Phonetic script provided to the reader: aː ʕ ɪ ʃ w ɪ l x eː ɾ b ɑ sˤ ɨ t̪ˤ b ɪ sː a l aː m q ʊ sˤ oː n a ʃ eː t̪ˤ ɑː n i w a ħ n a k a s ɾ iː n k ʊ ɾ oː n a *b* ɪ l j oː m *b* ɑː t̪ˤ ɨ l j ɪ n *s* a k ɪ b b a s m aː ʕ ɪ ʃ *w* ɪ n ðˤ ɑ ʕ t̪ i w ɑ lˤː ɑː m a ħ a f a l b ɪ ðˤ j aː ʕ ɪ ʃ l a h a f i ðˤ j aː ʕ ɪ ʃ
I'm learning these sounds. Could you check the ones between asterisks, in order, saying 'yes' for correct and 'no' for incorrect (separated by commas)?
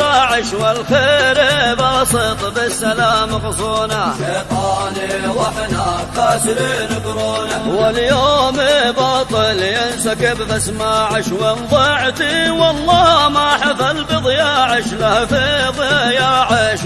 no, yes, yes, yes